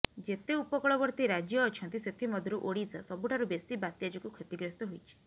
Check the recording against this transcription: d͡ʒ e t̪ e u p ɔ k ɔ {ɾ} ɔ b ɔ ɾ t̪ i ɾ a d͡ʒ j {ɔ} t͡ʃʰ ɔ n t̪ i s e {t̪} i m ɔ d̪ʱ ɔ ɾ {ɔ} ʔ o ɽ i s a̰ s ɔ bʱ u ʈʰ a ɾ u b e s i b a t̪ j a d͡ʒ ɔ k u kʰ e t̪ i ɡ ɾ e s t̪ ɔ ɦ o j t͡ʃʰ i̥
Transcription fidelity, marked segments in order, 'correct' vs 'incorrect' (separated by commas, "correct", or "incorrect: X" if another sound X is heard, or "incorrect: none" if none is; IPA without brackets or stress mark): incorrect: ɭ, incorrect: ɔː, incorrect: t̪ʰ, incorrect: u